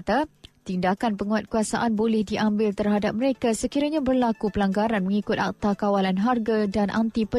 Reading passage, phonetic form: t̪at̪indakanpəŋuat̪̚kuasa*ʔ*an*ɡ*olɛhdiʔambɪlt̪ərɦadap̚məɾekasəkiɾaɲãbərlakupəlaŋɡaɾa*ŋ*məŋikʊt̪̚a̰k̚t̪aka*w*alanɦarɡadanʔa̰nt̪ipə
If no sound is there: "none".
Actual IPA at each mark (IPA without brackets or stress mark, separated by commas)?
ʔ, b, n, w